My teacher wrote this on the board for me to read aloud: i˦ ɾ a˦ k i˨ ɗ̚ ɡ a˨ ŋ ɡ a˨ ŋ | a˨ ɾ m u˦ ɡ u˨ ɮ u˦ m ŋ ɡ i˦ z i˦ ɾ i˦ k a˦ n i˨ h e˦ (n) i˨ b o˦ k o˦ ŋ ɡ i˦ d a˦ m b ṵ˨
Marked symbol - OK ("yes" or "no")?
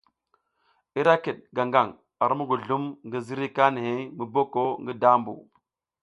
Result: no